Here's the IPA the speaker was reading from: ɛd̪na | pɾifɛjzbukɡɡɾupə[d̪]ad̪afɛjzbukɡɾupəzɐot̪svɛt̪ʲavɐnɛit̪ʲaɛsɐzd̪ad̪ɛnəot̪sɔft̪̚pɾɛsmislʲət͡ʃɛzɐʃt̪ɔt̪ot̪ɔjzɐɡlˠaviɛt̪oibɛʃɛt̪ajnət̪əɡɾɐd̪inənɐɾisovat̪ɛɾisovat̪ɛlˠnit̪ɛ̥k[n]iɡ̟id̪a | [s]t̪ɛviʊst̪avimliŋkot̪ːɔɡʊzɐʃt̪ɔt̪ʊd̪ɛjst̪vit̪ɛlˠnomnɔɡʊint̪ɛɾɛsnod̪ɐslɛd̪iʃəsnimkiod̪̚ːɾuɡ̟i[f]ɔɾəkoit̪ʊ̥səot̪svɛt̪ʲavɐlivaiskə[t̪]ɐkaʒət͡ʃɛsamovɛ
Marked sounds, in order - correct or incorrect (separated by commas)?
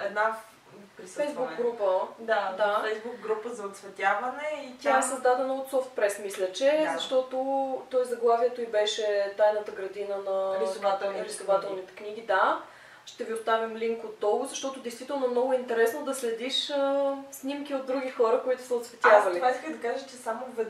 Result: correct, correct, incorrect, incorrect, incorrect